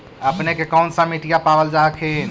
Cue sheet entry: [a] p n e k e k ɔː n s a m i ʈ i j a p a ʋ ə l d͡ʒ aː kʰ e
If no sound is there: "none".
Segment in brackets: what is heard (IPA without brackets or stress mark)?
ə